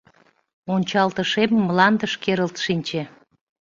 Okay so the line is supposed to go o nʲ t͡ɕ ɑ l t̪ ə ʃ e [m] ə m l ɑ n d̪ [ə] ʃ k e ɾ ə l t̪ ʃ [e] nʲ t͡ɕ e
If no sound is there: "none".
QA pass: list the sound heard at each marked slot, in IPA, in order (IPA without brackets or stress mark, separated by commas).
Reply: m, ə, i